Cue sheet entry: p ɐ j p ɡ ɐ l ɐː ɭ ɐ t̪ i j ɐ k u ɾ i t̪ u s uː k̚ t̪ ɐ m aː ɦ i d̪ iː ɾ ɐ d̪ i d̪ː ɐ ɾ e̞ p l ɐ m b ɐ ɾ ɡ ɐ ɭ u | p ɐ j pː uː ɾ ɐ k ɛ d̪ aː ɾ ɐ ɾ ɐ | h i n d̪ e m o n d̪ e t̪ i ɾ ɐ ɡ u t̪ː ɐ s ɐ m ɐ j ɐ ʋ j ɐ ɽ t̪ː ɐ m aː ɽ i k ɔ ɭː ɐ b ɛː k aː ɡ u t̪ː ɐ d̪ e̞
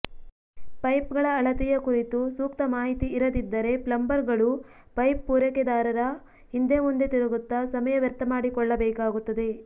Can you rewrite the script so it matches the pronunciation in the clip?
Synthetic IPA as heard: p ɐ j p ɡ ɐ ɭ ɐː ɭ ɐ t̪ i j ɐ k u ɾ i t̪ u s uː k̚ t̪ ɐ m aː ɦ i t̪ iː ɾ ɐ d̪ i d̪ː ɐ ɾ e̞ p l ɐ m b ɐ ɾ ɡ ɐ ɭ u | p ɐ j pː uː ɾ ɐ k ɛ d̪ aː ɾ ɐ ɾ ɐ | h i n d̪ e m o n d̪ e t̪ i ɾ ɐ ɡ u t̪ː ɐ s ɐ m ɐ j ɐ ʋ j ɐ ɾ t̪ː ɐ m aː ɽ i k ɔ ɭː ɐ b ɛː k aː ɡ u t̪ː ɐ d̪ e̞